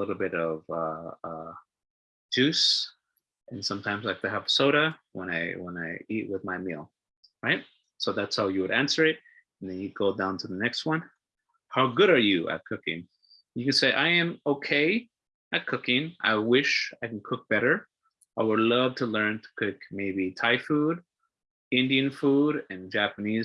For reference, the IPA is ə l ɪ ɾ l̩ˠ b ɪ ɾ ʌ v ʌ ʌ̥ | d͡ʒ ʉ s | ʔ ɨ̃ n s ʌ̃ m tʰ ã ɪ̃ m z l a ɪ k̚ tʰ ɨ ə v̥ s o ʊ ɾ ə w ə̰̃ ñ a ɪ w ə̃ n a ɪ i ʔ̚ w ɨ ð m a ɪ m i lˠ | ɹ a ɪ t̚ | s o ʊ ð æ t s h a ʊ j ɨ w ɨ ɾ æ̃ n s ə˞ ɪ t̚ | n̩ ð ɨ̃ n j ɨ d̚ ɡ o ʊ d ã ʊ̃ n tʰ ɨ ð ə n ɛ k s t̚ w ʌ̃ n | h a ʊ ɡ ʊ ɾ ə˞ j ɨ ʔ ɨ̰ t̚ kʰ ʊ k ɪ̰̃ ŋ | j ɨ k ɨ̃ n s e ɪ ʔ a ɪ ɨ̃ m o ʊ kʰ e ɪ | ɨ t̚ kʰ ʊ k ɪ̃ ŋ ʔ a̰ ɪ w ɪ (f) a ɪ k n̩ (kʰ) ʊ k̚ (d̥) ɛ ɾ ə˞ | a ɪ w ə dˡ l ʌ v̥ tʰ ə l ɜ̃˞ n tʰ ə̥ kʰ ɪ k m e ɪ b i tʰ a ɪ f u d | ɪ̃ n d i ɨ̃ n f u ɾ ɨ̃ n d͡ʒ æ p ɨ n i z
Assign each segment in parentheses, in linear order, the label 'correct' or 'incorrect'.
incorrect: ʃ, correct, incorrect: b̥

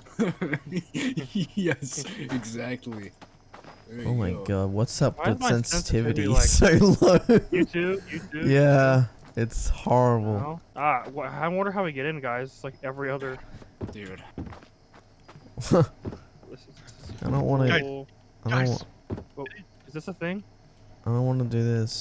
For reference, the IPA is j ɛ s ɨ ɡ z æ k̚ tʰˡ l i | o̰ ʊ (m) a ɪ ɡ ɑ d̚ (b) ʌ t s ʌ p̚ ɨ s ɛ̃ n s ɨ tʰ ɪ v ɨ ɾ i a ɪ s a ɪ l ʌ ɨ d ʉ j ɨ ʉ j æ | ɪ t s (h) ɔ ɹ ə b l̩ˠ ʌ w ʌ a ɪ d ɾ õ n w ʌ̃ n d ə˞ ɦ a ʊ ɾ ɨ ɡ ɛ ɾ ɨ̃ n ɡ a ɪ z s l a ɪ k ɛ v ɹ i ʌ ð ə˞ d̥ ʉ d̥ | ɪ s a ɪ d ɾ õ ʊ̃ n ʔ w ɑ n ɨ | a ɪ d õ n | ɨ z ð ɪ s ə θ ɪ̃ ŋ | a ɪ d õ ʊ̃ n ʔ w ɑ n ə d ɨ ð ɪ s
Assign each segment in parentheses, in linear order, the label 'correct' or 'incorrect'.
correct, incorrect: w, correct

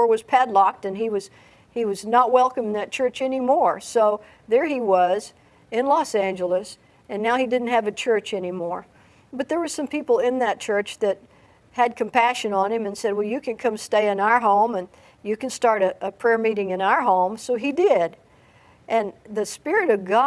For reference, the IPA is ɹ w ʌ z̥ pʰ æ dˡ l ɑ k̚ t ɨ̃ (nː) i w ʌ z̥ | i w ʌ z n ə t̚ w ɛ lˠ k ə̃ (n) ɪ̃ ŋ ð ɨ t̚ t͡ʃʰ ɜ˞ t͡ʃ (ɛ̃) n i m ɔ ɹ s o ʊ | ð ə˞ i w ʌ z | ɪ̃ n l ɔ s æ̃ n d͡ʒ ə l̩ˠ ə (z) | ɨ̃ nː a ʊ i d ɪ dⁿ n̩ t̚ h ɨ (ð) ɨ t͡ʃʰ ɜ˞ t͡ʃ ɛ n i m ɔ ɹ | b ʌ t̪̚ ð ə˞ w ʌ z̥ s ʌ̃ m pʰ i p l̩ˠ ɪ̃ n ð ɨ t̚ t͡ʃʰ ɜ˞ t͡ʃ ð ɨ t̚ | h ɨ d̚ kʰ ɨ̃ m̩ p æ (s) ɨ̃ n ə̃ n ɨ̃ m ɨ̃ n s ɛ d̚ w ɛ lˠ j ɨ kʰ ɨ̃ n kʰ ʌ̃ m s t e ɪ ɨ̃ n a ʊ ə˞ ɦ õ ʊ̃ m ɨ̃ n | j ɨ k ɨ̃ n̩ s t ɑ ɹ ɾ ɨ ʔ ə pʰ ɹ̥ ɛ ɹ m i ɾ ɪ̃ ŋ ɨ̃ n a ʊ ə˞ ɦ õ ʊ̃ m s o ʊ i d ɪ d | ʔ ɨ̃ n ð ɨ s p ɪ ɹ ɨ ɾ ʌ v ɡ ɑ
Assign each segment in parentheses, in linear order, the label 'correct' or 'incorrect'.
incorrect: n, incorrect: m, incorrect: ɛ, incorrect: s, incorrect: v, incorrect: ʃ

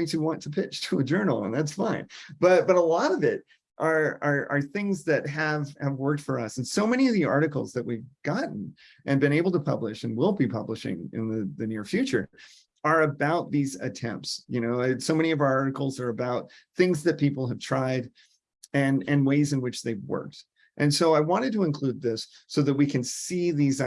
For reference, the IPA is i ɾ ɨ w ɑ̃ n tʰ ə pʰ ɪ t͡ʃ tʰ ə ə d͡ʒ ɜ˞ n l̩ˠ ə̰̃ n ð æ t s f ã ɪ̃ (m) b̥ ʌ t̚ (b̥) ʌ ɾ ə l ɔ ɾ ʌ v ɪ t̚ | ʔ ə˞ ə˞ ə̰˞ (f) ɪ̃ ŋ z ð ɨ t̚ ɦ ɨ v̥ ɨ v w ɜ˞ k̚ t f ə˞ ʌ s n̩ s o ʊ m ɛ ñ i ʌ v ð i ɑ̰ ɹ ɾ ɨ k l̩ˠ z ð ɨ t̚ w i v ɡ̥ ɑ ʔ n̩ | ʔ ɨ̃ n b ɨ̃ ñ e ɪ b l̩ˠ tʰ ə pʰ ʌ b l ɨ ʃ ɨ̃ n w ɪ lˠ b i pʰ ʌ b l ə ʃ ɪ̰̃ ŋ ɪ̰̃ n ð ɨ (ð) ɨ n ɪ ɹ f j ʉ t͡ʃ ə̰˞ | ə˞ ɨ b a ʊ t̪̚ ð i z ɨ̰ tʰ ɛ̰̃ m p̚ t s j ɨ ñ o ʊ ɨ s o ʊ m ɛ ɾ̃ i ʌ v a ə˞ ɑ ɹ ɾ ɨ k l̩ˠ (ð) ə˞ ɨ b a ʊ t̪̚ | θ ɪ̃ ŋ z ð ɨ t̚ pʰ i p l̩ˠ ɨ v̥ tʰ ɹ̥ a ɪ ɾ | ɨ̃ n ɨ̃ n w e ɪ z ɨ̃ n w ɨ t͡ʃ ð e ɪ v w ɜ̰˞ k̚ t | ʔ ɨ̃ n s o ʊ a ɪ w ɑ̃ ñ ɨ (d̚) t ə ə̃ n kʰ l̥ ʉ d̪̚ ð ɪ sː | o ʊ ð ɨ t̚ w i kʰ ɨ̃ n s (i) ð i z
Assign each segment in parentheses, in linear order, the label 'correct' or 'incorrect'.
incorrect: n, correct, incorrect: θ, correct, incorrect: z, correct, correct

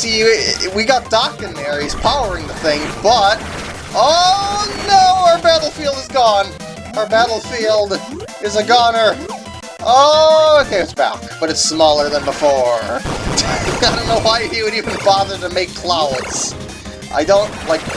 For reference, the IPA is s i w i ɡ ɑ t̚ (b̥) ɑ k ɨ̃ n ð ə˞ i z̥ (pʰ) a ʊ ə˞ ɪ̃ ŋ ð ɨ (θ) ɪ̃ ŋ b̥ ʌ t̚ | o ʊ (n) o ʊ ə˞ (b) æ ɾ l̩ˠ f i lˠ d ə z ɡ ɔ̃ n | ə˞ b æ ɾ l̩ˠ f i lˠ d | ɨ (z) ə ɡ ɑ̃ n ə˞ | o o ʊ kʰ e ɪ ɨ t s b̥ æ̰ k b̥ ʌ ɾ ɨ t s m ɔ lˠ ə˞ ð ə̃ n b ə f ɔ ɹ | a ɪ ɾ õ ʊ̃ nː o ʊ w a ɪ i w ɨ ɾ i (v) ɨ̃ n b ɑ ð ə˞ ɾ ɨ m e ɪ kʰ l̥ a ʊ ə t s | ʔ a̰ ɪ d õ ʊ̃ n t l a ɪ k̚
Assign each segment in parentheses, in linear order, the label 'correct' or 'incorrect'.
incorrect: d̥, correct, correct, correct, correct, correct, correct

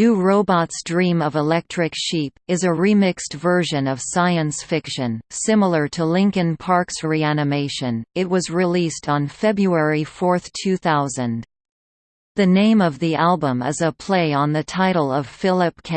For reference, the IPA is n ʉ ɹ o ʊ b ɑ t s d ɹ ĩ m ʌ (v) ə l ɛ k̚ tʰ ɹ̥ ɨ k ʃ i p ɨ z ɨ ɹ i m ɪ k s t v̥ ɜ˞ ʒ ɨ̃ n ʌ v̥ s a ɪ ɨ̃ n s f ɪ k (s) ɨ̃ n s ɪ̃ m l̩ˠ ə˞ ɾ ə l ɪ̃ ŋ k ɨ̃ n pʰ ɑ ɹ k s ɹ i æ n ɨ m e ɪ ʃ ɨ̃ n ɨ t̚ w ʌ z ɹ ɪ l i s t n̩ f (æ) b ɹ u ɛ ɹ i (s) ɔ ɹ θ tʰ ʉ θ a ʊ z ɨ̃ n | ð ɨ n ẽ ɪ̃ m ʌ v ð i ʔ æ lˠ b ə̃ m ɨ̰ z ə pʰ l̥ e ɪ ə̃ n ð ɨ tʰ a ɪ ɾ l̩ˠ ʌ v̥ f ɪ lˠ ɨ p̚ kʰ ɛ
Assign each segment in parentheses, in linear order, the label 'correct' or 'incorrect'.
correct, incorrect: ʃ, incorrect: ɛ, incorrect: f

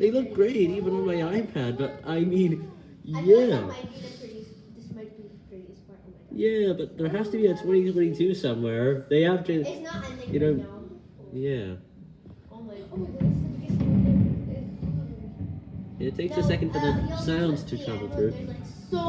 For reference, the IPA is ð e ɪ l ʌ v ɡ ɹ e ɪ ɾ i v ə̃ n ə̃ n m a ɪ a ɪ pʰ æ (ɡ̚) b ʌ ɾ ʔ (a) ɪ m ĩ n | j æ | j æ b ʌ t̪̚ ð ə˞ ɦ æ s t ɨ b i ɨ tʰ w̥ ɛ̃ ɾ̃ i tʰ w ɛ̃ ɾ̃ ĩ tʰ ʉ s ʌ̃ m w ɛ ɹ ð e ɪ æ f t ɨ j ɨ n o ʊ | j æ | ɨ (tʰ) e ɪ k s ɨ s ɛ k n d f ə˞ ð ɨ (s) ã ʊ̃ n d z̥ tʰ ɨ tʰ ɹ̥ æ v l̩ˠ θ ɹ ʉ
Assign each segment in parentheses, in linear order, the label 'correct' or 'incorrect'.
incorrect: d̚, correct, correct, correct

